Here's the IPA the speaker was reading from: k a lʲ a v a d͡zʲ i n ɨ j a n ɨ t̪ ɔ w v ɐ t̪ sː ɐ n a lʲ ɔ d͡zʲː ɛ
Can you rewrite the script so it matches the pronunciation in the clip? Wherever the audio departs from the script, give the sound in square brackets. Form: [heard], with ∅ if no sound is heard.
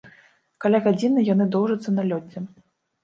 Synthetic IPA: k a lʲ a [ɣ] a d͡zʲ i n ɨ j a n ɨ [d̪] ɔ w [ʐ] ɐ t̪ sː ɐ n a lʲ ɔ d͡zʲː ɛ